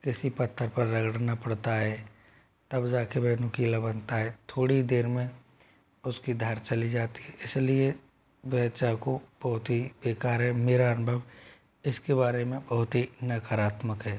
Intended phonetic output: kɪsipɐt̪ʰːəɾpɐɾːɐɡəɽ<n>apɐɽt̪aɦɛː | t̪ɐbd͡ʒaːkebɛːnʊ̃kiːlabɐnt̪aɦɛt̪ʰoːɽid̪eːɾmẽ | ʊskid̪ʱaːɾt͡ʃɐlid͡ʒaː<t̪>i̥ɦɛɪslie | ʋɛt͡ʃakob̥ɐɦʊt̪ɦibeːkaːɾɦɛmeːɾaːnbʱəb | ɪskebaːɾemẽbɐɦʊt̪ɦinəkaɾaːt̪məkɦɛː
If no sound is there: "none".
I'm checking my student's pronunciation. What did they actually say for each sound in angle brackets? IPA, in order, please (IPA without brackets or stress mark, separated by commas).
n, t̪